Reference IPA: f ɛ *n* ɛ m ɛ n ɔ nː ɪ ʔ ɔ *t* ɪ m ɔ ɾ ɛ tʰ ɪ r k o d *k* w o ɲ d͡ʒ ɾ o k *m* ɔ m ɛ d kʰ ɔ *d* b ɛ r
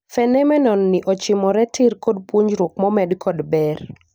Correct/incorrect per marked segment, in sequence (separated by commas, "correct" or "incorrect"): correct, incorrect, incorrect, correct, correct